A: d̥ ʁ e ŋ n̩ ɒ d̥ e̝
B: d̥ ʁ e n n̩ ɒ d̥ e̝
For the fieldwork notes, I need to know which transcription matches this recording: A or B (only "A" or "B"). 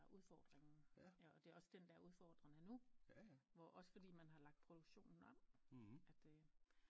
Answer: A